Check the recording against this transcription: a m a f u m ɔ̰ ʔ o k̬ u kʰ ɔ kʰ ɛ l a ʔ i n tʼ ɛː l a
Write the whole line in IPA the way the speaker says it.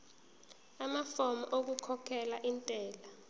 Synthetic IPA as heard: a m a f ɔ m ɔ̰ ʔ o k̬ u kʰ ɔ kʰ ɛ l a ʔ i n tʼ ɛː l a